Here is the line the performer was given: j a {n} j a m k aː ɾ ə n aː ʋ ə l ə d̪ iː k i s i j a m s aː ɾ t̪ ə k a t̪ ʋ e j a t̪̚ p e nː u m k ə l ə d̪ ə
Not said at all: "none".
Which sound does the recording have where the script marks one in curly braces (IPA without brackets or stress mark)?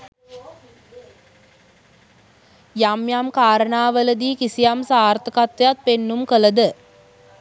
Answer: m